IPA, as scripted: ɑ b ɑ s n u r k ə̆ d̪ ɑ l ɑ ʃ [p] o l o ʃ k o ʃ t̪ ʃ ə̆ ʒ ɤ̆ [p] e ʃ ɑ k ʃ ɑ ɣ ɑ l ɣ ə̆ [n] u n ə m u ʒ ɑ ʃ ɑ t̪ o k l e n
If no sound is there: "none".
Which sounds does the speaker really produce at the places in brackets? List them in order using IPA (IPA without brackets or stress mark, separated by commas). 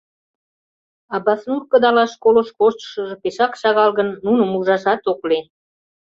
k, p, nː